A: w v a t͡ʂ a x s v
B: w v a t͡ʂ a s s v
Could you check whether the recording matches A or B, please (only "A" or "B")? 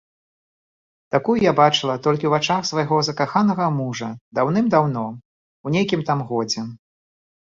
A